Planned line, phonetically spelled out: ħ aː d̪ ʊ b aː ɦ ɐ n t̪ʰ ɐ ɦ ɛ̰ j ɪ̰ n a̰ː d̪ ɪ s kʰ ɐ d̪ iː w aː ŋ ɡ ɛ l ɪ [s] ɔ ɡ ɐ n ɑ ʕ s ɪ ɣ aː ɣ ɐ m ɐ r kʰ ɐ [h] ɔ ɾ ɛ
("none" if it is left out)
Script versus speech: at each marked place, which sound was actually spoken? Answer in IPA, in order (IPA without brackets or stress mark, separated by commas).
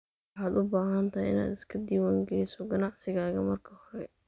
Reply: s, h